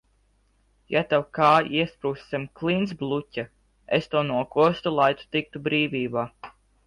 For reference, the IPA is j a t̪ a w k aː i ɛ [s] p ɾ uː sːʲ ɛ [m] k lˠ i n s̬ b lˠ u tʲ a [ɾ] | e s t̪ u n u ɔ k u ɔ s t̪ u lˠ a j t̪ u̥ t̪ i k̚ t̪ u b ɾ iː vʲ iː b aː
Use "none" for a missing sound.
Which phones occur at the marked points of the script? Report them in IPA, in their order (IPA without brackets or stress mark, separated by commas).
s, m, none